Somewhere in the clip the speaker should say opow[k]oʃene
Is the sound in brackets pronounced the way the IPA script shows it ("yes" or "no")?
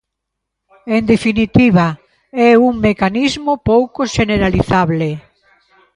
yes